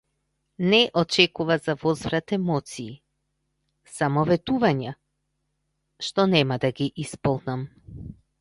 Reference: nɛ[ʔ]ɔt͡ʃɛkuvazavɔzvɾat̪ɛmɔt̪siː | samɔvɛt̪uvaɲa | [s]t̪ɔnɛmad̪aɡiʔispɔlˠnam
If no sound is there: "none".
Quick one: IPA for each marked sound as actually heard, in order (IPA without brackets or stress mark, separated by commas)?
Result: ʔ, ʃ